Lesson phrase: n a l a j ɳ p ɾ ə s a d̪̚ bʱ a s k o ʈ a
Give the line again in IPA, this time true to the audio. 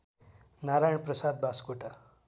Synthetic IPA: n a ɾ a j ɳ p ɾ ə s a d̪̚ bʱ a s k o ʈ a